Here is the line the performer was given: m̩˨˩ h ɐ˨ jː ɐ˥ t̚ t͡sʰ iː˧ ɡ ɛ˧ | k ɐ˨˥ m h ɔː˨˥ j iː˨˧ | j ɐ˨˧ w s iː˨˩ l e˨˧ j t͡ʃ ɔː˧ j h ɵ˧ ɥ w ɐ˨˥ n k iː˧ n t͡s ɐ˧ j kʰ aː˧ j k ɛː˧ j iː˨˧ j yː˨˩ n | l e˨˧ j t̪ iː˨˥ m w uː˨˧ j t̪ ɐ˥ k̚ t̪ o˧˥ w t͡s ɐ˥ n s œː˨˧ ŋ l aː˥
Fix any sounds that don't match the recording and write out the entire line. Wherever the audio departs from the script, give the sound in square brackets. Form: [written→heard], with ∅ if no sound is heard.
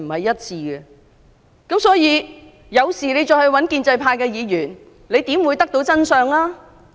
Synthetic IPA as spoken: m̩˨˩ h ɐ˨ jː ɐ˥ t̚ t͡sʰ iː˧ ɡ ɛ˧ | k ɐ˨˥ m [h→s] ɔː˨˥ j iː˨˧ | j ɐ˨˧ w s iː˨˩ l e˨˧ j t͡ʃ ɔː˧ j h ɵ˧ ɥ w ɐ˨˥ n k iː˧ n t͡s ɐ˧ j [kʰ→pʰ] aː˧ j k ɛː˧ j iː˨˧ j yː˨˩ n | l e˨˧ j t̪ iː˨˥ m w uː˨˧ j t̪ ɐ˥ k̚ t̪ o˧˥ w t͡s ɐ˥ n s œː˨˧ ŋ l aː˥